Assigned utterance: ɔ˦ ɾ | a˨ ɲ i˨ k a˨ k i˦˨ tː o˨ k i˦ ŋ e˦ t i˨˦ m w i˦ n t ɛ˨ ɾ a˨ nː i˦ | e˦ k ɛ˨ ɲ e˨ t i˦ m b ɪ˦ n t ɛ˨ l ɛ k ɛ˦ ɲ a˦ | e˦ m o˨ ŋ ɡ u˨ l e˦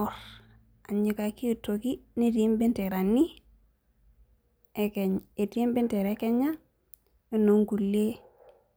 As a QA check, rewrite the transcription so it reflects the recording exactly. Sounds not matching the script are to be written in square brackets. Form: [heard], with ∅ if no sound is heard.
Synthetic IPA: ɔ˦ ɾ | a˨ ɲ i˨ k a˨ k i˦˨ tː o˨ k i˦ [n] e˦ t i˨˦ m [b] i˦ n t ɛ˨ ɾ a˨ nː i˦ | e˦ k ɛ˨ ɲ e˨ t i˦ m b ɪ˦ n t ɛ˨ [ɾ] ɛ k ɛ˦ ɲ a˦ | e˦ [n] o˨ ŋ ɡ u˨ l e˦